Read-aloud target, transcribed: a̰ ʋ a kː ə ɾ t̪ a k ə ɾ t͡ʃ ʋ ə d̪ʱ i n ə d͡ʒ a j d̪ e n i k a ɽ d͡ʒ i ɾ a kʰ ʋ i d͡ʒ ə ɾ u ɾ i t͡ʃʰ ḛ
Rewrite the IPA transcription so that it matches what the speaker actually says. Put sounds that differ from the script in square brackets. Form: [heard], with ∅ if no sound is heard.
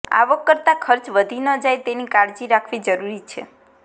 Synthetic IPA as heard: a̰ ʋ [ə] kː ə ɾ t̪ a [kʰ] ə ɾ t͡ʃ ʋ ə d̪ʱ i n ə d͡ʒ a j [t̪] e n i k a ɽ d͡ʒ i ɾ a kʰ ʋ i d͡ʒ ə ɾ u ɾ i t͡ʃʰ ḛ